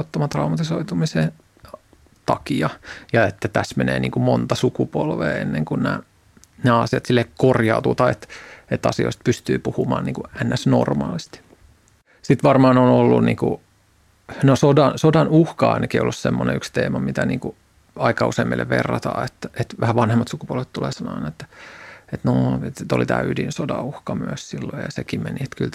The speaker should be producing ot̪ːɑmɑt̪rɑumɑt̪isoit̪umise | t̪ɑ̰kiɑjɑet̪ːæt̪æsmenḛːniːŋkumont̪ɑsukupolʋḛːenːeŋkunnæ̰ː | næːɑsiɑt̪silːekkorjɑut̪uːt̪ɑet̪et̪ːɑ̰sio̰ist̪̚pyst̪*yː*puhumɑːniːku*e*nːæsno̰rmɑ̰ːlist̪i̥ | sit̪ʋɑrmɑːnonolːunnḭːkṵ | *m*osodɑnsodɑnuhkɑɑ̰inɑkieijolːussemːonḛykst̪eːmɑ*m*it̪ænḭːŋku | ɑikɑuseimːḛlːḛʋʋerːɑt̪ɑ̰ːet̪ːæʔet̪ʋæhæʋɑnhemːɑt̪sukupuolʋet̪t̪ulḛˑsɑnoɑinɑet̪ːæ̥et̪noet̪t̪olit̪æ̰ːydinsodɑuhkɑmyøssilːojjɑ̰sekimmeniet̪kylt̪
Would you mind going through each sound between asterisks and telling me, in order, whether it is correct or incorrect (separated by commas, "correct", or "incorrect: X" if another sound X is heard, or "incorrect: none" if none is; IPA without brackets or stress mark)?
correct, incorrect: æ, incorrect: n, correct